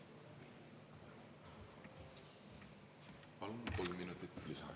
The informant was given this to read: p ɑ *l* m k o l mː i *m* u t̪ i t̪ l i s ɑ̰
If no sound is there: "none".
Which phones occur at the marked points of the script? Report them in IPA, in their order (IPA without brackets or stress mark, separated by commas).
l, n